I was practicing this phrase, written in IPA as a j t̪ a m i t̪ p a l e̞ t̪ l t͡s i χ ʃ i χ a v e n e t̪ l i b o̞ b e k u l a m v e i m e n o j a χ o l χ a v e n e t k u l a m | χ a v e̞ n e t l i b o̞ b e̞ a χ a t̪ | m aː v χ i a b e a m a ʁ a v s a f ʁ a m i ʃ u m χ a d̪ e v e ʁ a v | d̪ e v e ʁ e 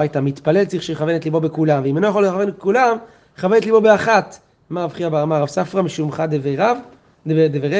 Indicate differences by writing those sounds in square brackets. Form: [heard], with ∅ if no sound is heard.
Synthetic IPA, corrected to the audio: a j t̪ a m i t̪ p a l e̞ [∅] l t͡s i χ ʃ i χ a v e n e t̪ l i b o̞ b e k u l a m v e i m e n o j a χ o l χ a v e n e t k u l a m | χ a v e̞ n e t l i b o̞ b e̞ a χ a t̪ | m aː v χ i a b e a m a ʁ a v s a f ʁ a m i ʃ u m χ a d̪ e v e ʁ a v | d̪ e v e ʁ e